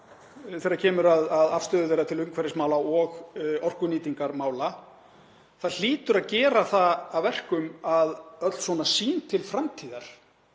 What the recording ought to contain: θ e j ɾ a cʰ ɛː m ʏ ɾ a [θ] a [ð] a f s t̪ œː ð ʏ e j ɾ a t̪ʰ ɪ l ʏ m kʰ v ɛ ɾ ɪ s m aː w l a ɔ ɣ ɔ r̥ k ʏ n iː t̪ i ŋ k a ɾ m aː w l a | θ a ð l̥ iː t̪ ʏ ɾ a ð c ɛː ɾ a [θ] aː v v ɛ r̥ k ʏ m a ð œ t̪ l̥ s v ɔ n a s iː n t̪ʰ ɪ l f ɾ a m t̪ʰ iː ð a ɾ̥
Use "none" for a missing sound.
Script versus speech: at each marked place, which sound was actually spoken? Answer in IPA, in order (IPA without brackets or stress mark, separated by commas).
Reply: ð, ð, θ